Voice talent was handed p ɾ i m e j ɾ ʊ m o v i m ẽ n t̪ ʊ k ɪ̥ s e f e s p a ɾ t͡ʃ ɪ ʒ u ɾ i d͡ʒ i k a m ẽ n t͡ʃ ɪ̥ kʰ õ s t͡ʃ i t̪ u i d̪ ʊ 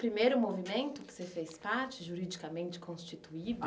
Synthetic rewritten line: p ɾ i m e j ɾ ʊ m o v i m ẽ n t̪ ʊ k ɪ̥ s e f e s p a ɾ t͡ʃ ɪ ʒ u ɾ i d͡ʒ i k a m ẽ n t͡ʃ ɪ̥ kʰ õ s t͡ʃ i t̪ u i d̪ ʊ